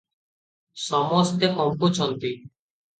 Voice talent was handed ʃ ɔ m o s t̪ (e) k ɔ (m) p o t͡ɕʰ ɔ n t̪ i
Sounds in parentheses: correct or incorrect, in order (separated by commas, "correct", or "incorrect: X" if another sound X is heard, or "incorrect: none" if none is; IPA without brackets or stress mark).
correct, correct